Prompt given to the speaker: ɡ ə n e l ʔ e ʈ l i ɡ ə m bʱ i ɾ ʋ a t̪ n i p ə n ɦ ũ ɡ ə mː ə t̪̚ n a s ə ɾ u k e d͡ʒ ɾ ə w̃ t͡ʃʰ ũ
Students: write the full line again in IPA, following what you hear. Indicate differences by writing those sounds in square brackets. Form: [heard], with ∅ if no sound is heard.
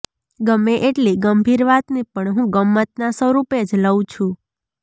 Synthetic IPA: ɡ ə [m] e [∅] ʔ e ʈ l i ɡ ə m bʱ i ɾ ʋ a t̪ n i p ə [ɳ] ɦ ũ ɡ ə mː ə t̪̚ n a s ə ɾ u [p] e d͡ʒ [l] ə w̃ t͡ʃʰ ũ